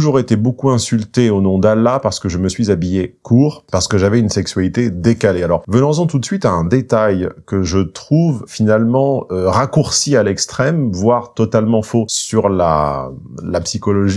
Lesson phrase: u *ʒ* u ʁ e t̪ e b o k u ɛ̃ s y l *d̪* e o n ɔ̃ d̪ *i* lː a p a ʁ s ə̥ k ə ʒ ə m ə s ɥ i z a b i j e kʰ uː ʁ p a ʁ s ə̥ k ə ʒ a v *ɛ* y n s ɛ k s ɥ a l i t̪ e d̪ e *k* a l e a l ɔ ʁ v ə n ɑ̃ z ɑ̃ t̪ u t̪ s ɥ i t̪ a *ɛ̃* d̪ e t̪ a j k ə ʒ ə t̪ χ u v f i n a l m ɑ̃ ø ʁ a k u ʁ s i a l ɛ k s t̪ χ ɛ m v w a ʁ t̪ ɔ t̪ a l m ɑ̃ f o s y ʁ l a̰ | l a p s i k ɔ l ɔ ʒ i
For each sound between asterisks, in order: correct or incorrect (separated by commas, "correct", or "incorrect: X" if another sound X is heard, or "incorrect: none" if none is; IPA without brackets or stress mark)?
correct, incorrect: t̪, incorrect: a, correct, correct, correct